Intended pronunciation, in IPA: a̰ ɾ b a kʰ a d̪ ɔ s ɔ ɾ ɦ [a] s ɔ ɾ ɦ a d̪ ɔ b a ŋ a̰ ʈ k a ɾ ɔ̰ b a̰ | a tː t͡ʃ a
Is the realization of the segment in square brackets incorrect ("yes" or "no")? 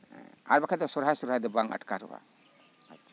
no